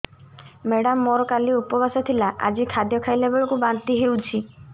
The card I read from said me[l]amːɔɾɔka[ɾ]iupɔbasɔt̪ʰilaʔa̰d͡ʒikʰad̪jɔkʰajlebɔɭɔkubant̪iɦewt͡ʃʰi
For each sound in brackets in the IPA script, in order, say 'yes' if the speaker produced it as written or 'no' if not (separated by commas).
no, no